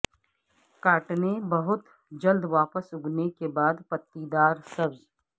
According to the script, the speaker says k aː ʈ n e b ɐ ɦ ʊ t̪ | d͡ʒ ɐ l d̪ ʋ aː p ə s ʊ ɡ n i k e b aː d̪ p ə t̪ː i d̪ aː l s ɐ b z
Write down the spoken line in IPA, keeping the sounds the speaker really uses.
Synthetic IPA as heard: k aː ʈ n e b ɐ ɦ ʊ t̪ | d͡ʒ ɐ l d̪ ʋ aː p ə s ʊ ɡ n e k e b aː d̪ p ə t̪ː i d̪ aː ɾ s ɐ b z